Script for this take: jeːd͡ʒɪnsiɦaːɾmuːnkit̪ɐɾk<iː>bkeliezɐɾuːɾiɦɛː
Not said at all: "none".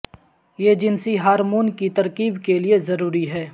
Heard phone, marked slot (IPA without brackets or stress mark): iː